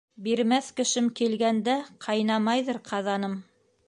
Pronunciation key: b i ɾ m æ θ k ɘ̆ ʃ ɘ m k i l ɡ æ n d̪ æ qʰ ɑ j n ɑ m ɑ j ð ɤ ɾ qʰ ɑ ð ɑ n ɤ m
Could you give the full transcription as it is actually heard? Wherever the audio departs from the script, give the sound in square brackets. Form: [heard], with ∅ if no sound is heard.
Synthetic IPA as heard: b i ɾ m æ θ k ɘ̆ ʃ ɘ m k i l ɡ æ n d̪ æ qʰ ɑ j n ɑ m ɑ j ð ɤ ɾ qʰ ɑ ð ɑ n ɤ m

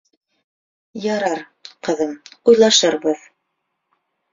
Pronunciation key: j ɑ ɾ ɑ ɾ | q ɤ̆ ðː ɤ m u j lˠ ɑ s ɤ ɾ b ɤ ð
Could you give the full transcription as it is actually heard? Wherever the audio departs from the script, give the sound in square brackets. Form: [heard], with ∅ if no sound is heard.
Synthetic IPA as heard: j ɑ ɾ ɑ ɾ | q ɤ̆ [ð] ɤ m u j lˠ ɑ [ʃ] ɤ ɾ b ɤ ð

